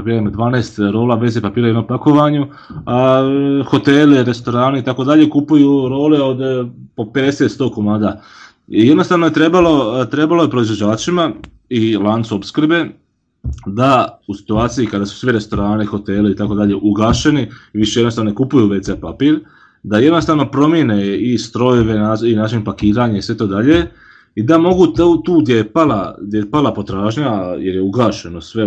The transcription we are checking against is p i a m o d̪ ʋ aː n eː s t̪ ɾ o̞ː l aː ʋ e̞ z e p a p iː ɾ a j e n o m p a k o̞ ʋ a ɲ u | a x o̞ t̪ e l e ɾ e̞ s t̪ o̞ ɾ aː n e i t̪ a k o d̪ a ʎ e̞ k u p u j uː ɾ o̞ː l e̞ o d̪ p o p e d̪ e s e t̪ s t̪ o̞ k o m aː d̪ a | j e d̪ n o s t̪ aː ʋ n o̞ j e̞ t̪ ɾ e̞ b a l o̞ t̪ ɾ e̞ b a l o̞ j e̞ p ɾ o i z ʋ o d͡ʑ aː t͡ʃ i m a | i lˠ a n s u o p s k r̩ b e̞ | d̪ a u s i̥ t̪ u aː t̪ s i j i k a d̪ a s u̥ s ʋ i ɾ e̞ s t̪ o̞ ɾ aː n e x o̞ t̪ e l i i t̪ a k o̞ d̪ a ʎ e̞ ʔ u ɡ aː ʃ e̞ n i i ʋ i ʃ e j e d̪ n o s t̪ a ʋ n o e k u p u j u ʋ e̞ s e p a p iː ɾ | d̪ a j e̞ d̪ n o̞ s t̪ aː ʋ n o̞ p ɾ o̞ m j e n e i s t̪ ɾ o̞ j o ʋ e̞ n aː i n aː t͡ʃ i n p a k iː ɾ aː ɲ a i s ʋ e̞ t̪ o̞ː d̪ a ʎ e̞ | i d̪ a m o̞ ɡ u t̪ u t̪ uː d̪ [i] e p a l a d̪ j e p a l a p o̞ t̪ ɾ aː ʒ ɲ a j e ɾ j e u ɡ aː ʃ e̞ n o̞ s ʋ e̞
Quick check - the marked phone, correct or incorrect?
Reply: incorrect